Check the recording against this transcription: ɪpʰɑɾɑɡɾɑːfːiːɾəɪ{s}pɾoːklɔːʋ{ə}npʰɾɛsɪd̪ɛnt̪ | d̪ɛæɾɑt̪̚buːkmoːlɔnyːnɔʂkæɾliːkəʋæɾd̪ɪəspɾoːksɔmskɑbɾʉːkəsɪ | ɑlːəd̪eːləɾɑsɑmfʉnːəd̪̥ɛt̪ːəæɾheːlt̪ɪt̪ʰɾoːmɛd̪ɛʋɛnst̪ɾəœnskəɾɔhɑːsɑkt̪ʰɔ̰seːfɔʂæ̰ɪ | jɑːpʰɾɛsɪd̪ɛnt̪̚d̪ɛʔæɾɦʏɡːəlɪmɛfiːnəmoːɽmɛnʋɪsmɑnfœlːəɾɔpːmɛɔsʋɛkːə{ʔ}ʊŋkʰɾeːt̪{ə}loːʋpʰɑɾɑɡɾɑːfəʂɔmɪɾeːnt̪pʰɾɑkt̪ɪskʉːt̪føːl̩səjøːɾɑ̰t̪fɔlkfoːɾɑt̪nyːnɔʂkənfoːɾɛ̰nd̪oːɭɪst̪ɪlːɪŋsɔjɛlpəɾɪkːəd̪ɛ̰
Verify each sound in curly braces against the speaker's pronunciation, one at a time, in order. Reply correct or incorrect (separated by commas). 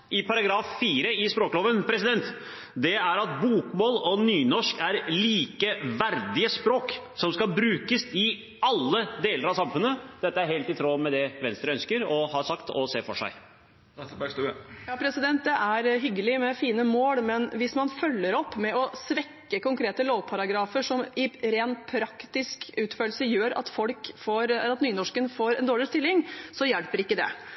correct, correct, incorrect, correct